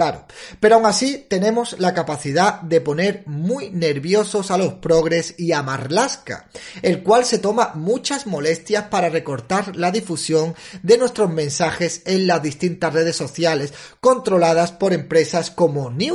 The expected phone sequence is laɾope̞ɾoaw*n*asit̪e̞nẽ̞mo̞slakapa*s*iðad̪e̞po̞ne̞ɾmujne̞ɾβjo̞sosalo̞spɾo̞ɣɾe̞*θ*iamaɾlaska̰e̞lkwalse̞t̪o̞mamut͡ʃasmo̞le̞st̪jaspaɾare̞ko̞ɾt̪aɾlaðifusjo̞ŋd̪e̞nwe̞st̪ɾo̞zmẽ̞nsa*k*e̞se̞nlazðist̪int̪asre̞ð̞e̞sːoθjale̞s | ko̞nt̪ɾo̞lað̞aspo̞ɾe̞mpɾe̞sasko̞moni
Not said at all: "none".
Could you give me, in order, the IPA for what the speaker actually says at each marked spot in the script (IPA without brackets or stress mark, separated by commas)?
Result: ŋ, θ, s, x